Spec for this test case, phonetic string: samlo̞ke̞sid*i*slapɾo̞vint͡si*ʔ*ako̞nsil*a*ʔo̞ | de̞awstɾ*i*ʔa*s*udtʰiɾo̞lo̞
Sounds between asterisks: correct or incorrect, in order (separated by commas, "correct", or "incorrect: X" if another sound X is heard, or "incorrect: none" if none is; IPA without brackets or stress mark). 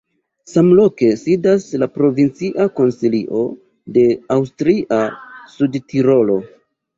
incorrect: a, correct, incorrect: i, correct, correct